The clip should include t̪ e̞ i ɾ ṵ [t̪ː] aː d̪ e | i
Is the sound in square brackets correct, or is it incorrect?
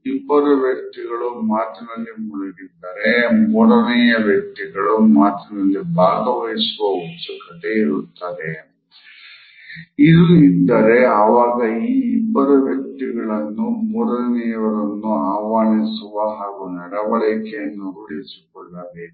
correct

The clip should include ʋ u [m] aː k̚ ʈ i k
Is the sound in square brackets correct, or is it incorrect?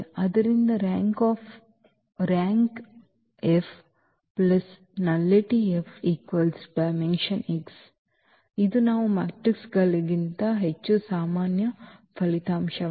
correct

